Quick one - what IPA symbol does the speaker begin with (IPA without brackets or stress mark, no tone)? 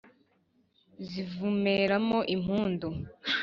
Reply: z